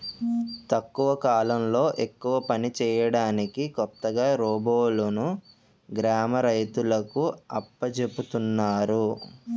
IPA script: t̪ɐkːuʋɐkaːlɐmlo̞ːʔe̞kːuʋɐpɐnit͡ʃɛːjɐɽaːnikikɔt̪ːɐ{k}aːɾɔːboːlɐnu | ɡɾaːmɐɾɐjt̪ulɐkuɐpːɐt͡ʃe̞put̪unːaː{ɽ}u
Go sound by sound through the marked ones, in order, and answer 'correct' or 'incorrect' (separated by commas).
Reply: incorrect, incorrect